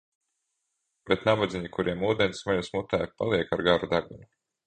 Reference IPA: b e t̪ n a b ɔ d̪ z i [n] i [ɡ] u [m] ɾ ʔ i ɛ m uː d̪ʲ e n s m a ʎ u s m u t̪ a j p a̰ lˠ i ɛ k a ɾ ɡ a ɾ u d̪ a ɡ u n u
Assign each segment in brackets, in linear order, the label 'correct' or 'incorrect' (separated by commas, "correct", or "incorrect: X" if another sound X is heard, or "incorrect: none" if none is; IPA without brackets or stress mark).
incorrect: ɲ, incorrect: k, incorrect: none